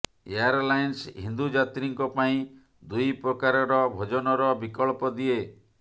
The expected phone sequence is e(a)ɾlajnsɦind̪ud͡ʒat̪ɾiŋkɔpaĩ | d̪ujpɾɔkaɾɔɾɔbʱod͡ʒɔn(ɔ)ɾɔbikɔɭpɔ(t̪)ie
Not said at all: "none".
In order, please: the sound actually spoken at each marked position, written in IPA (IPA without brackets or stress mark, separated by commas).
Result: a, ɔ, d̪